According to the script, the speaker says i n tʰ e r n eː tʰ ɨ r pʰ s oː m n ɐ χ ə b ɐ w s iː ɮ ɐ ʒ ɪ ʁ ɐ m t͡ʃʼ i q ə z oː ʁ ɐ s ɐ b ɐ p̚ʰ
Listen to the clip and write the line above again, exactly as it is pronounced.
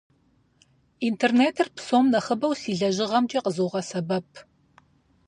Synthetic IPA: i n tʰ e r n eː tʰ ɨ r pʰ s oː m n ɐ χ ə b ɐ w s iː ɮ ɐ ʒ ɪ ʁ ɐ m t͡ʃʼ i q ə z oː ʁ ɐ s ɐ b ɐ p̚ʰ

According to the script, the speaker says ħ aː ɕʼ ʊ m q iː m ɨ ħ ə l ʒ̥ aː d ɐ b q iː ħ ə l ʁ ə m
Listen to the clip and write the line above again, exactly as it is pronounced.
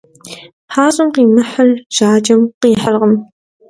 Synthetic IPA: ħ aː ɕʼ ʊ m q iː m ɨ ħ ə l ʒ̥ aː d͡ʒ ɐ m q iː ħ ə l ʁ ə m

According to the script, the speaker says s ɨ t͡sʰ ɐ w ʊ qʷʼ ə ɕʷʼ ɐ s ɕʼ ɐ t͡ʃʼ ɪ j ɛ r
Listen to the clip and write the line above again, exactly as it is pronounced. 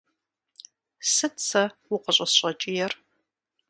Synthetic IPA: s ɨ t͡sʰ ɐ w ʊ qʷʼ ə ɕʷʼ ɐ s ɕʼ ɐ t͡ʃʼ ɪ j ɛ r

